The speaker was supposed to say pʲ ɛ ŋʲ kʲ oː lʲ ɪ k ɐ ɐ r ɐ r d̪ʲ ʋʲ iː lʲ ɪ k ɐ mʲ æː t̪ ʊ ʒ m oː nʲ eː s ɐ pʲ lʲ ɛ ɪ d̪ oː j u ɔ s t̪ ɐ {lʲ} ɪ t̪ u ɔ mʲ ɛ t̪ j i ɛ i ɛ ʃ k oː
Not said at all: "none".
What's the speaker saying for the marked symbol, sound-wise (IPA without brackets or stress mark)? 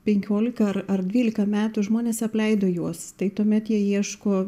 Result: none